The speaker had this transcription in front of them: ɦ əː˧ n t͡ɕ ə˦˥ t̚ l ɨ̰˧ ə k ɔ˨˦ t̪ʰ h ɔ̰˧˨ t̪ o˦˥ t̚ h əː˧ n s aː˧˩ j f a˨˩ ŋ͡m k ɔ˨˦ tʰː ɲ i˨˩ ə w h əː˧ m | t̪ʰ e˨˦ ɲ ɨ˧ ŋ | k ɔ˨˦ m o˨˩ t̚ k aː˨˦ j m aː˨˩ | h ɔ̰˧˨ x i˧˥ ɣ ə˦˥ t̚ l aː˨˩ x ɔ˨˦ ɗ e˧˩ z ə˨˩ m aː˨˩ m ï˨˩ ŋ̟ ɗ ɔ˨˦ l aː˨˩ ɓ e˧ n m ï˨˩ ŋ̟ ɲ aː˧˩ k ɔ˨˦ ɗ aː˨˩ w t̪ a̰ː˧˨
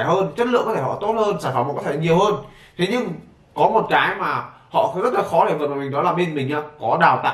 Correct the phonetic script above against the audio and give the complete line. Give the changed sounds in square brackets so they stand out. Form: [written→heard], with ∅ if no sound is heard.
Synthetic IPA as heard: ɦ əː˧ n t͡ɕ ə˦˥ t̚ l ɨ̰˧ ə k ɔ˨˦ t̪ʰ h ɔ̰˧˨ t̪ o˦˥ t̚ h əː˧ n s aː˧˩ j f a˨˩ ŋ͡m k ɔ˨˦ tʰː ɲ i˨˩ ə w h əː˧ [m→n] | t̪ʰ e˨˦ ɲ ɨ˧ ŋ | k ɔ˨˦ m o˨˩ t̚ k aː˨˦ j m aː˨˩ | h ɔ̰˧˨ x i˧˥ [ɣ→z] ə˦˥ t̚ l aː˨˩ x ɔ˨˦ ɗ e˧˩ [z→v] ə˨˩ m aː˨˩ m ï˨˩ ŋ̟ ɗ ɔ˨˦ l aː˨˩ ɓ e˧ n m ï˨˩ ŋ̟ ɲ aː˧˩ k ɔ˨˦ ɗ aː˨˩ w t̪ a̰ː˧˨

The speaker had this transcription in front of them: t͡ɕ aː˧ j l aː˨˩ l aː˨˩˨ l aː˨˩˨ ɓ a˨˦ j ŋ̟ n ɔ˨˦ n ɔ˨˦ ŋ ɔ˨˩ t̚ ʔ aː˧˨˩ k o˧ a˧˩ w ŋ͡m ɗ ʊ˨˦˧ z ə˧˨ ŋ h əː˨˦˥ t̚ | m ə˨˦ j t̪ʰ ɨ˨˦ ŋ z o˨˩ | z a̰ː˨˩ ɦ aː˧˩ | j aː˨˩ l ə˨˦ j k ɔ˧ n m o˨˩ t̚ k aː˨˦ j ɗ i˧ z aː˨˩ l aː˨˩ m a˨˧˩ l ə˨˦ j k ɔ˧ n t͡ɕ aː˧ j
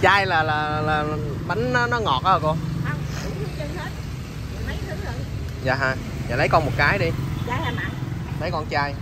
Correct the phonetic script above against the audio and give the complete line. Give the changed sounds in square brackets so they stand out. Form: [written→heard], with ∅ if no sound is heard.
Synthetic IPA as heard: t͡ɕ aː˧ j l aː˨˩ l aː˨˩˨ l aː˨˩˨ ɓ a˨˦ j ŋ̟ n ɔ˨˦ n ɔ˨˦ ŋ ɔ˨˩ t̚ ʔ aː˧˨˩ k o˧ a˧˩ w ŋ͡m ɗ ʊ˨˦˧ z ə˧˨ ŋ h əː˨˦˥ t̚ | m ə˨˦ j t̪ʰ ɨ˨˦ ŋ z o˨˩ | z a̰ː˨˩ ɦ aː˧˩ | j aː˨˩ l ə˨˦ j k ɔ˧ n m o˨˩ t̚ k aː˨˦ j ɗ i˧ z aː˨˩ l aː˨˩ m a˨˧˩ l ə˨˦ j k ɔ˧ n t͡ɕ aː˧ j

